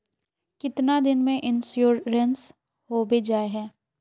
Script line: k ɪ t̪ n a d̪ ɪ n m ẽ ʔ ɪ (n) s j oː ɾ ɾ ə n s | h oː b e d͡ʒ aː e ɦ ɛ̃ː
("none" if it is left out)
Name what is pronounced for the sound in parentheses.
n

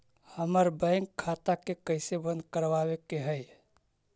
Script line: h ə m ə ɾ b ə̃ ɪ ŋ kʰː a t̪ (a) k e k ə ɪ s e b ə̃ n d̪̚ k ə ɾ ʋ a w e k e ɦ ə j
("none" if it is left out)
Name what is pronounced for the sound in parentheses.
a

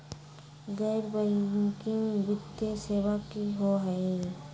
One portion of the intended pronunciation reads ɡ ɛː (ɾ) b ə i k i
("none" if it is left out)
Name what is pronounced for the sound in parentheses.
ɾ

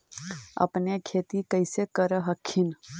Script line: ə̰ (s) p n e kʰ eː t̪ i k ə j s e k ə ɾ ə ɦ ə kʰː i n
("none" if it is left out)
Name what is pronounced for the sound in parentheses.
none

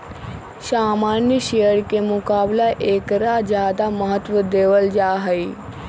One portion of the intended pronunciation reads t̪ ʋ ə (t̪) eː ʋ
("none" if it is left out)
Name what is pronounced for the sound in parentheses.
d̪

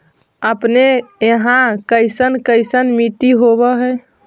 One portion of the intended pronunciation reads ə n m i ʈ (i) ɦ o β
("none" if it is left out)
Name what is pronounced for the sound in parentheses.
i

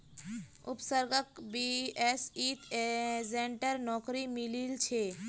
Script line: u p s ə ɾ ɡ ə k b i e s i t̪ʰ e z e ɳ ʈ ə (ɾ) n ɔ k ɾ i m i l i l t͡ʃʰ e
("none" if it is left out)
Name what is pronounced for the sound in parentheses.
ɾ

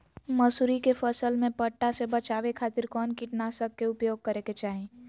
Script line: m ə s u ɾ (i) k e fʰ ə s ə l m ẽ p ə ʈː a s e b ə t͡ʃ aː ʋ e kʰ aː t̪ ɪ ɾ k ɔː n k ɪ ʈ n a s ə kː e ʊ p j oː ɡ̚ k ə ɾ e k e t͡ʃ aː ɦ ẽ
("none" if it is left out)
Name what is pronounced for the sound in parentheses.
i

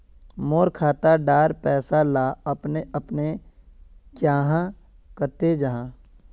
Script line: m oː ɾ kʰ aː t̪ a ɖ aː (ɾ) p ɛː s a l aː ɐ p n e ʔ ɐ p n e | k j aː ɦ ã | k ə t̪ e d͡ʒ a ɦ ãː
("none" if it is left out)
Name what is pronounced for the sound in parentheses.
ɾ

